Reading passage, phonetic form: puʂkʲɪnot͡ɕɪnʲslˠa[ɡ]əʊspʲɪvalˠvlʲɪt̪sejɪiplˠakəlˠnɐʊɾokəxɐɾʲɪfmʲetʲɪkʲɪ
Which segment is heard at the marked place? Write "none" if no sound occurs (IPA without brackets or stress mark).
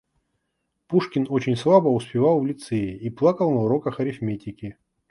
b